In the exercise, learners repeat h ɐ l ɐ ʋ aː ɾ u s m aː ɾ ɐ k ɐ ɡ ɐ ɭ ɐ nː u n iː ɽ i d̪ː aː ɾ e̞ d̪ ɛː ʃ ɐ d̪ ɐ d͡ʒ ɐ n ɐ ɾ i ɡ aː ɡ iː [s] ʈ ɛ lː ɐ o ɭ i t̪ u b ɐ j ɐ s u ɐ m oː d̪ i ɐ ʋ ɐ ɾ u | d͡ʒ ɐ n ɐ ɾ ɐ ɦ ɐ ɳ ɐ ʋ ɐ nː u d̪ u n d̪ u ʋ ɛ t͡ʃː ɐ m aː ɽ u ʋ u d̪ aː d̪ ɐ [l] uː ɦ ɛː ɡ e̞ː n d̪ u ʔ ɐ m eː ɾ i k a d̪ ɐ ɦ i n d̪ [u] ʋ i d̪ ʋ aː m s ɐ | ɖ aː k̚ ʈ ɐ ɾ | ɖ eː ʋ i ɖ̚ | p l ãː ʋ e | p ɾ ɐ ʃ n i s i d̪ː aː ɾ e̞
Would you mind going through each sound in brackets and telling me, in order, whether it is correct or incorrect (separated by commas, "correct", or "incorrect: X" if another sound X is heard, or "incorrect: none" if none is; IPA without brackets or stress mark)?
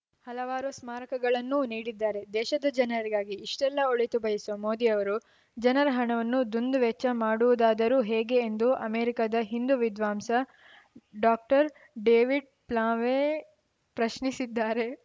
incorrect: ʂ, incorrect: ɾ, correct